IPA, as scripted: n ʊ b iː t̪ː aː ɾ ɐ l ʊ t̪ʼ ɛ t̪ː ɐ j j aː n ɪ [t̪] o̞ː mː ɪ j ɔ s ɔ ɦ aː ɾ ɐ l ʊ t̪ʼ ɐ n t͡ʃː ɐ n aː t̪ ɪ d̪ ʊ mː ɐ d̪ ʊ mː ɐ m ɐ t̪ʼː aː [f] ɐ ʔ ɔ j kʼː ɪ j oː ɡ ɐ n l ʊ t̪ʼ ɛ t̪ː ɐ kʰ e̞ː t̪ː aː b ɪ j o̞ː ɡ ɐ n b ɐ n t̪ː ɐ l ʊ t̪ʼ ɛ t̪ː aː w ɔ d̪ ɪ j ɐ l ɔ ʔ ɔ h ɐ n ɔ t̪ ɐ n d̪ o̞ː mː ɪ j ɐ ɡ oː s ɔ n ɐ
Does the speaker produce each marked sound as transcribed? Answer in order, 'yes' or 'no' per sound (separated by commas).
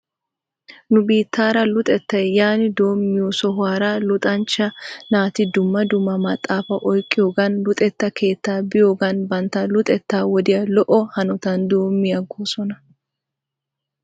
no, yes